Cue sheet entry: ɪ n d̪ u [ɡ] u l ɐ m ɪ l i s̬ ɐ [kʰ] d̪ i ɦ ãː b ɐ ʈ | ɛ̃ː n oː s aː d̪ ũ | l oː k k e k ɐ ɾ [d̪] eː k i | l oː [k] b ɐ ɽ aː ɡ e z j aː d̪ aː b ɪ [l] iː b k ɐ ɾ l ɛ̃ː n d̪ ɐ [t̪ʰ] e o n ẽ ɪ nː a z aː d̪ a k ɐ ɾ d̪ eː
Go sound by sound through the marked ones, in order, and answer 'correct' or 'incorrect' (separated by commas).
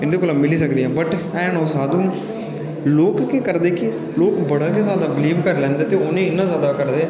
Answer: incorrect, incorrect, correct, correct, correct, incorrect